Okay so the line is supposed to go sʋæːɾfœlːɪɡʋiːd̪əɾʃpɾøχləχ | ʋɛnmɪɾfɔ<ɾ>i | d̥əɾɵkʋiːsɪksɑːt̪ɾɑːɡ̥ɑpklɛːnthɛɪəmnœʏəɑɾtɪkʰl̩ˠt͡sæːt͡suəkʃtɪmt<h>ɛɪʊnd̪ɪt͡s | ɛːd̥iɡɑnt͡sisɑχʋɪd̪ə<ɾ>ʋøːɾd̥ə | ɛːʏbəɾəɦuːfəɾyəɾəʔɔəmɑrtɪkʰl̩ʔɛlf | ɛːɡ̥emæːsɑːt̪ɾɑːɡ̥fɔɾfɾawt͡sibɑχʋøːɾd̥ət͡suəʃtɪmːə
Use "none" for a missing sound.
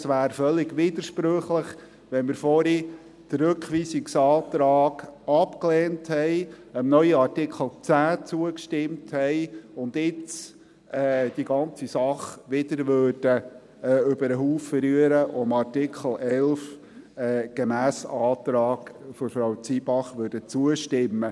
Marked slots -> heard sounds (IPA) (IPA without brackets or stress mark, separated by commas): ɾ, h, ɾ